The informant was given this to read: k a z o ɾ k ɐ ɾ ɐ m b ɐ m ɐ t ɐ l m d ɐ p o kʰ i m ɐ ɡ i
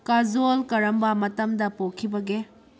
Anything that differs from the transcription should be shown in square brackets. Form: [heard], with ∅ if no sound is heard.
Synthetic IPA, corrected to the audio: k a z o [l] k ɐ ɾ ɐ m b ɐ m ɐ t ɐ [∅] m d ɐ p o kʰ i [b] ɐ ɡ [e]